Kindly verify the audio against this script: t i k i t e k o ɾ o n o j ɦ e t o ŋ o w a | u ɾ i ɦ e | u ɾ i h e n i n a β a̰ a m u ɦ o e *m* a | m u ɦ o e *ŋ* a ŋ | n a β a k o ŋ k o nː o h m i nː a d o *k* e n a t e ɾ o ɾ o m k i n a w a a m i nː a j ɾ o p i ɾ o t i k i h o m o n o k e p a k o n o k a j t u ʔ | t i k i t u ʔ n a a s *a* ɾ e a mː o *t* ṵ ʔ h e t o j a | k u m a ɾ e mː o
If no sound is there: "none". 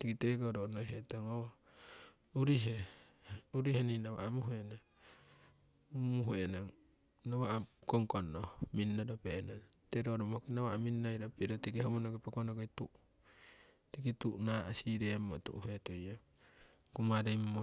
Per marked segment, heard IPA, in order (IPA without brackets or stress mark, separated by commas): n, n, p, i, t